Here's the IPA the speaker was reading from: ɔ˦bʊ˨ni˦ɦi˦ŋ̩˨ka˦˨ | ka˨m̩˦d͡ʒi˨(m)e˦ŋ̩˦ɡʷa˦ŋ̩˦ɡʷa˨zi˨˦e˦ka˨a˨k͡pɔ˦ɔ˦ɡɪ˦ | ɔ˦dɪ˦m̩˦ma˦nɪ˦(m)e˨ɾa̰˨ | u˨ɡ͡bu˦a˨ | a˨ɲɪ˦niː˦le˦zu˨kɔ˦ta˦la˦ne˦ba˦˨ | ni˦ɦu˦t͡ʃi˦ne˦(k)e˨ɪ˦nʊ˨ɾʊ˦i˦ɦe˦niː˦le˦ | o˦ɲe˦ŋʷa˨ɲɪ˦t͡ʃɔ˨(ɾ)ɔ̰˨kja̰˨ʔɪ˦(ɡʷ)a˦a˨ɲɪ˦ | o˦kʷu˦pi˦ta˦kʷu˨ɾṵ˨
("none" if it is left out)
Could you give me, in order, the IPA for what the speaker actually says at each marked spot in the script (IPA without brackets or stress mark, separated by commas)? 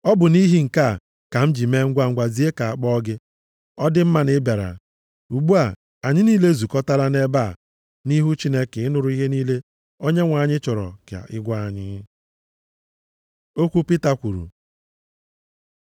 m, b, k, ɾ, ɡʷ